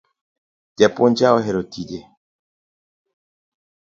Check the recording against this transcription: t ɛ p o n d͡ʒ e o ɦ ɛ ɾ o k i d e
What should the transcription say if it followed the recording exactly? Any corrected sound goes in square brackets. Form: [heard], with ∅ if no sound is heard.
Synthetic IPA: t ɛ p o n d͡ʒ [a] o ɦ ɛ ɾ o [t] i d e